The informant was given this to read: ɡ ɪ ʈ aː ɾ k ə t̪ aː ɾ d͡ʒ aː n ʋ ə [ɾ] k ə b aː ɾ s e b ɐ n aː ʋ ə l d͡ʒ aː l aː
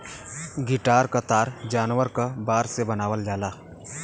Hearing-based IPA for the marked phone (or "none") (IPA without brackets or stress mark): ɾ